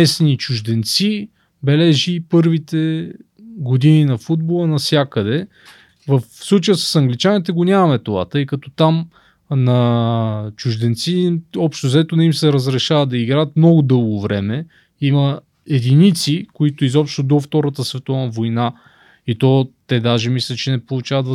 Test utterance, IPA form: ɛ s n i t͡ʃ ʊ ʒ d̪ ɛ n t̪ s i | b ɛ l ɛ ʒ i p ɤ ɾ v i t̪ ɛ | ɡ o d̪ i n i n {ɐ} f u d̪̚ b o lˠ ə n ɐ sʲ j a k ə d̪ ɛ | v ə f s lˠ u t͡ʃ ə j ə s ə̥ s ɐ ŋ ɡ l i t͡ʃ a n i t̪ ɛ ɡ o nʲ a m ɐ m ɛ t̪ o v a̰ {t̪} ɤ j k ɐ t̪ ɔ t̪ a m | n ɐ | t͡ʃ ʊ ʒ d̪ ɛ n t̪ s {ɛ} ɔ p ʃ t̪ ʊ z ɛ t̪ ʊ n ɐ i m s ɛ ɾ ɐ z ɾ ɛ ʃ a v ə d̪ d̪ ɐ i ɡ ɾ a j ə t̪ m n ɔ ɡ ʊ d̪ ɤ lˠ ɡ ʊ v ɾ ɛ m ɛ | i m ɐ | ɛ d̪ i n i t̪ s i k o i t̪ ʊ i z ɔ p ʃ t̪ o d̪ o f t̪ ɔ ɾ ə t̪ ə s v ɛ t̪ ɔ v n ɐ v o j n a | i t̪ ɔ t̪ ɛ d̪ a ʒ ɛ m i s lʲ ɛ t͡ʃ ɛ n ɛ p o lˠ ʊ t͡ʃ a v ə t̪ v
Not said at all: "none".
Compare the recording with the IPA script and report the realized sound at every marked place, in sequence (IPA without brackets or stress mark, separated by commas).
ɐ, t̪, i